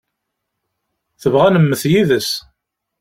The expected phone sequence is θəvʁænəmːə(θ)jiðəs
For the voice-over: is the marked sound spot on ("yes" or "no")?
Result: yes